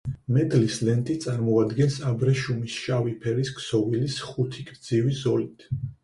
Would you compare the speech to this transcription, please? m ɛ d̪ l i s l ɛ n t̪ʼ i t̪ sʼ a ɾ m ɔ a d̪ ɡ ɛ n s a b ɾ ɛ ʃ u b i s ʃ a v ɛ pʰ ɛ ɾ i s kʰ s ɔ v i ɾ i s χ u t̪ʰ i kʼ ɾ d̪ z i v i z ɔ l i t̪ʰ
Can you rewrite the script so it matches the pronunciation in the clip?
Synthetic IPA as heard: m ɛ d̪ l i s l ɛ n t̪ʼ i t̪ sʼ a ɾ m ɔ a d̪ ɡ ɛ n s a b ɾ ɛ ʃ u m i s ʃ a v i pʰ ɛ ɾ i s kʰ s ɔ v i l i s χ u t̪ʰ i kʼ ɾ d̪ z i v i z ɔ l i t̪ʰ